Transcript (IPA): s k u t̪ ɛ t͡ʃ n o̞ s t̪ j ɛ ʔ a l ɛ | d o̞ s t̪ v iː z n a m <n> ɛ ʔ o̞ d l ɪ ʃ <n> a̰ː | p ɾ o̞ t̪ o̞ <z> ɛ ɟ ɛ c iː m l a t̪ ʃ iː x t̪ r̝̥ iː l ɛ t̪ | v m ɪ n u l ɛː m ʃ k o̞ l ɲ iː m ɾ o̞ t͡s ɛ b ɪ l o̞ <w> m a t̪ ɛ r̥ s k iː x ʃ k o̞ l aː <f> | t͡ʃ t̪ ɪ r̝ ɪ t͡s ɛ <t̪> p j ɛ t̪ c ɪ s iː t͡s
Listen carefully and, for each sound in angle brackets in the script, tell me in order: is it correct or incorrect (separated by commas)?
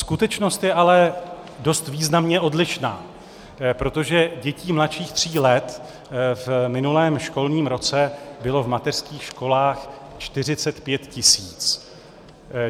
incorrect, correct, incorrect, incorrect, incorrect, correct